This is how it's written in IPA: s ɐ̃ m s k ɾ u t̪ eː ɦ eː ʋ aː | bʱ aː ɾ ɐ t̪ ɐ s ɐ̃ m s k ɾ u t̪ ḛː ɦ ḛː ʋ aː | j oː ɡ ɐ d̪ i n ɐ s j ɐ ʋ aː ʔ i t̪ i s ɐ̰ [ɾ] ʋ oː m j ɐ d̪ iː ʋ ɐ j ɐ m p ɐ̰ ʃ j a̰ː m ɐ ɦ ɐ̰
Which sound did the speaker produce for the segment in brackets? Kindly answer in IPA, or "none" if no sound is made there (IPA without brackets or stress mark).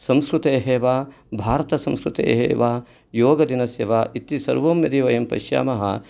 ɾ